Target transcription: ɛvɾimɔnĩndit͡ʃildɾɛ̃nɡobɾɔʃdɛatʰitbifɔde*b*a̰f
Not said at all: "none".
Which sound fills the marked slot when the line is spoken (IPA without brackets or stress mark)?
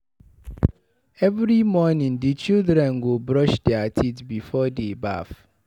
b